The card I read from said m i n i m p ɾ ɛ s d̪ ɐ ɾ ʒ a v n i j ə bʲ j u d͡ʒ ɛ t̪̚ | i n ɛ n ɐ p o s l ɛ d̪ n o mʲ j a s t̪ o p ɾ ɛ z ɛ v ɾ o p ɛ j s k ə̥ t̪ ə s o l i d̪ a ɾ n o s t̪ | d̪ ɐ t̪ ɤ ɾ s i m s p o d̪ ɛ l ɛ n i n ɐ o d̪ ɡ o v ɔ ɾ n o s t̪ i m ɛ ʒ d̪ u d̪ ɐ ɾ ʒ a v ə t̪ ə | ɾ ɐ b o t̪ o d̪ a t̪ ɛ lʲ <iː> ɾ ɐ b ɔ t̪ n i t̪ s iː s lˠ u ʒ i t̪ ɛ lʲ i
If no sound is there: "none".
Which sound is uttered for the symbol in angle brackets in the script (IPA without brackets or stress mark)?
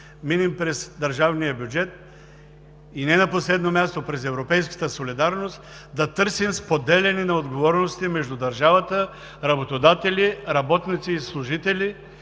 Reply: i